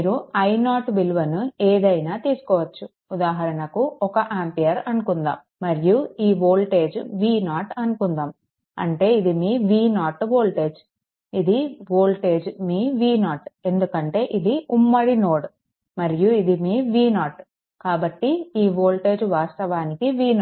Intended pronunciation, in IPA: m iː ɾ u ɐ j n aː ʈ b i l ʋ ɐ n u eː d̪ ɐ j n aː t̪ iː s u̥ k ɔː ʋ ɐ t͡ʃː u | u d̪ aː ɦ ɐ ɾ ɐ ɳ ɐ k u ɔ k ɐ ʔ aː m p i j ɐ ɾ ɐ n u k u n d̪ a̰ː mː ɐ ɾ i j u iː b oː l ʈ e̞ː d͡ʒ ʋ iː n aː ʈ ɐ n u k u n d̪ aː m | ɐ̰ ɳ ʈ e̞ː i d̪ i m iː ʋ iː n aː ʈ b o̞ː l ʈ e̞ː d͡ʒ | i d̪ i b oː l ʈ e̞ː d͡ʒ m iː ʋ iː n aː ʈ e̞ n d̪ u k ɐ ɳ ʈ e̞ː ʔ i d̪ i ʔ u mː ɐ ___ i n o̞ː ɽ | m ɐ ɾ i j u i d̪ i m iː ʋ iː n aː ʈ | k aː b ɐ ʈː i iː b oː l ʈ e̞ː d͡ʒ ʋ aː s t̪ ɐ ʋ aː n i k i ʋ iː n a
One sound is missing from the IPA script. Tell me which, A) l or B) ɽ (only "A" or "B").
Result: B